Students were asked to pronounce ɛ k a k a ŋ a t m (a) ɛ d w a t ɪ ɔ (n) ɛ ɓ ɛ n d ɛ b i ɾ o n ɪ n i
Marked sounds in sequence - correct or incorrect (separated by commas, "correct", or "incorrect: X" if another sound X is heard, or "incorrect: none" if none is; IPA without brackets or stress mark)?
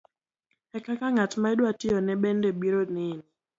correct, correct